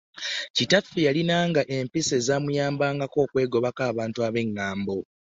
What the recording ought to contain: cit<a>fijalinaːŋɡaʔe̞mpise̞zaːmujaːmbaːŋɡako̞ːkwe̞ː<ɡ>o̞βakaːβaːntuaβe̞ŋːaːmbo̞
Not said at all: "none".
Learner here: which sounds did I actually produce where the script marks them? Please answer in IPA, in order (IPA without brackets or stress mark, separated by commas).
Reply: a, ɡ